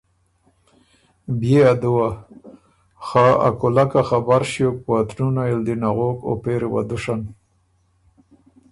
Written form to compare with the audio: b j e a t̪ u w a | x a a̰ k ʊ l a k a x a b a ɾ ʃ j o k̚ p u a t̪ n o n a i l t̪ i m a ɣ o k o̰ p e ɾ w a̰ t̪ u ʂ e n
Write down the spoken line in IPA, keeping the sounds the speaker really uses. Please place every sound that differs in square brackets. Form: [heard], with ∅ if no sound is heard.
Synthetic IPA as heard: b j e a [d̪] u w a | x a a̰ k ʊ l a k a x a b a ɾ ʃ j o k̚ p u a t̪ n [u] n a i l [d̪] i [n] a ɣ o k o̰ p e ɾ w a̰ [d̪] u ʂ [a] n